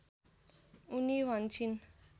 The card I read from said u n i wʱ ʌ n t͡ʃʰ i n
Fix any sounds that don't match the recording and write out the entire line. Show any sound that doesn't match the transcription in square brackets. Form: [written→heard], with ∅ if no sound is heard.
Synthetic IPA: u n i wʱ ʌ n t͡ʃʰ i n